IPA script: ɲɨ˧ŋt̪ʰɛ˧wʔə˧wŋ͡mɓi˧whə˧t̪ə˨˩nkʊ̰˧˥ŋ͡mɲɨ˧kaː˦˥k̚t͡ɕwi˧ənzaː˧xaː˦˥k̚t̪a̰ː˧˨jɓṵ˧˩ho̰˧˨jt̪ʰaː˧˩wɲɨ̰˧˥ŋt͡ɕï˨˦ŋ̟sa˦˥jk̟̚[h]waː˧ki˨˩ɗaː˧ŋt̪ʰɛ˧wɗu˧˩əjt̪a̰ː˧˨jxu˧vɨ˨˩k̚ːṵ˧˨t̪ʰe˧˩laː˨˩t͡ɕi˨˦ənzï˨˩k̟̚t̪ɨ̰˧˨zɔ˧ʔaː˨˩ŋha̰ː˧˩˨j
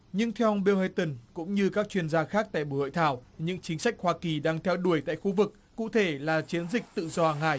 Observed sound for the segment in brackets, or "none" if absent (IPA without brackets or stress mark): h